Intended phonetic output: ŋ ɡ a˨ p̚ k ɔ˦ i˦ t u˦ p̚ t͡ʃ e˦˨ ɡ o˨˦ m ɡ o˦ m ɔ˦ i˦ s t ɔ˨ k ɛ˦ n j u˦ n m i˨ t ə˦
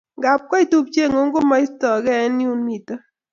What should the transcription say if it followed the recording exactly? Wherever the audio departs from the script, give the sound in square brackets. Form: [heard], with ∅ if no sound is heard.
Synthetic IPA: ŋ ɡ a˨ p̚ k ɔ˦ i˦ t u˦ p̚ t͡ʃ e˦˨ [ŋ] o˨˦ [ŋ] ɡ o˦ m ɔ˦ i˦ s t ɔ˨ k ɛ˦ n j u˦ n m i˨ t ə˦